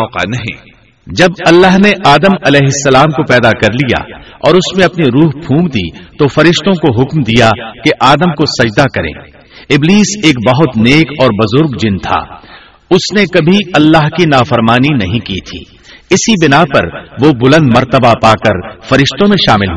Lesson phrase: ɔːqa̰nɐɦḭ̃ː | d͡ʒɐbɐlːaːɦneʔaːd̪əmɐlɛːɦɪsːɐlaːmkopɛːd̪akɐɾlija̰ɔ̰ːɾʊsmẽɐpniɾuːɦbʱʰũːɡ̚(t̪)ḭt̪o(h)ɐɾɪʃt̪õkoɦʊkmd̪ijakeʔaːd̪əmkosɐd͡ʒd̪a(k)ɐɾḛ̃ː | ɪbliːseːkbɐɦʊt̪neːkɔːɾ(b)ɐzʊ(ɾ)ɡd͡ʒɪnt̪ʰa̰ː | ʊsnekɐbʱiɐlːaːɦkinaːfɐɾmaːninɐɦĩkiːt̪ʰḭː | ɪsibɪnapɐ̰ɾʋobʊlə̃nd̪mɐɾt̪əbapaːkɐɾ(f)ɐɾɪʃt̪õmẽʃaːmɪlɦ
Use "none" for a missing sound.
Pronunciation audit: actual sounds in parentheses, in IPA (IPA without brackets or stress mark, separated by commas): d̪, f, k, b, ɾ, f